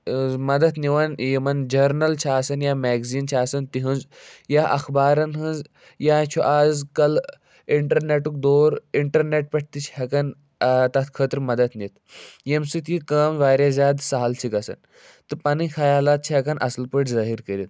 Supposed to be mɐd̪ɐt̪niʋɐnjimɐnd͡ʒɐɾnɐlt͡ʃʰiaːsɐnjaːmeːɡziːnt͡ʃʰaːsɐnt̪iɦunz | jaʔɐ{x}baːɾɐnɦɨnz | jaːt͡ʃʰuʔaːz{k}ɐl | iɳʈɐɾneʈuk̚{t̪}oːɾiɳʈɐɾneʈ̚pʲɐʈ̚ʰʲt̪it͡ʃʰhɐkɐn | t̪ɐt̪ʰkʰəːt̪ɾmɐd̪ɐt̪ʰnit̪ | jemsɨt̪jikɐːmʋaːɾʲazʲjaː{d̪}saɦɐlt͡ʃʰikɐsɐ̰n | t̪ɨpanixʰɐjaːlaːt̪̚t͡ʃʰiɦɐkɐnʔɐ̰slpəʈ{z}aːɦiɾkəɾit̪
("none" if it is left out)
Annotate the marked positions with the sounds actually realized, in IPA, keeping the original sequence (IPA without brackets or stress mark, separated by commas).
x, k, d̪, d̪, z